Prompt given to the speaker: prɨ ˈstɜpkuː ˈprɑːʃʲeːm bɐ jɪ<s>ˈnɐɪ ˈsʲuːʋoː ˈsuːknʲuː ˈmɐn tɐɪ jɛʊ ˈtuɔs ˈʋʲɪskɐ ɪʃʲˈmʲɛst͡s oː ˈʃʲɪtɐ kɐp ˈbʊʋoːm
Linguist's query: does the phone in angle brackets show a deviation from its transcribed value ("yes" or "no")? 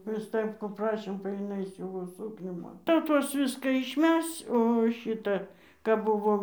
yes